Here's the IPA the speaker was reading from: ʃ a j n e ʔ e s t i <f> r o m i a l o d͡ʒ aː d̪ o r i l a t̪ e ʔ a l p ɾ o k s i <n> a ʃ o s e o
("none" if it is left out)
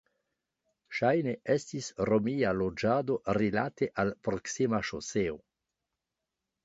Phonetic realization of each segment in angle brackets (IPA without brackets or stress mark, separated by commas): s, m